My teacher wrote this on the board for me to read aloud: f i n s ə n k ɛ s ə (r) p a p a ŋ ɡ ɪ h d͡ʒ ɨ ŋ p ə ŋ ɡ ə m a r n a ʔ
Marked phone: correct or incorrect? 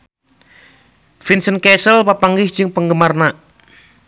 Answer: incorrect